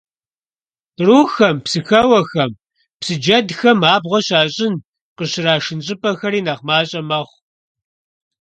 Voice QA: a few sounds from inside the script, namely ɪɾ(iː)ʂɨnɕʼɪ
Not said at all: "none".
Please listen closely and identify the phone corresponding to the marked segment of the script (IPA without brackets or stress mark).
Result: aː